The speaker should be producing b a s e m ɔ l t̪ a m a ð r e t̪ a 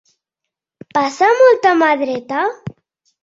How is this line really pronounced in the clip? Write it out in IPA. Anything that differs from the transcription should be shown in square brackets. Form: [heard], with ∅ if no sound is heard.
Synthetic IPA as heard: [p] a s [a] m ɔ l t̪ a m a ð [ɾ] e t̪ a